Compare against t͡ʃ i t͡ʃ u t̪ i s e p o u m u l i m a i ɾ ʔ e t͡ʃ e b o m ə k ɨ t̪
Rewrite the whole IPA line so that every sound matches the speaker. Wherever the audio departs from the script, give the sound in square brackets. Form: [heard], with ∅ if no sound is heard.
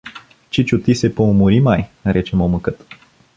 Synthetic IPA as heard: t͡ʃ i t͡ʃ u t̪ i s e p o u m u [ɾ] i m a [j] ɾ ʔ e t͡ʃ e [m] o m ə k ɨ t̪